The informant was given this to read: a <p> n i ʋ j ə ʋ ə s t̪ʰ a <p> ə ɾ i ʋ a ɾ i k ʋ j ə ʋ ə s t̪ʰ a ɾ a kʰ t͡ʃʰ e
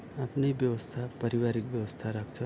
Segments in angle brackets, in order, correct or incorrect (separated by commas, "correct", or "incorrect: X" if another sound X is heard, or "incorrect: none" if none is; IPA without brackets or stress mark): correct, correct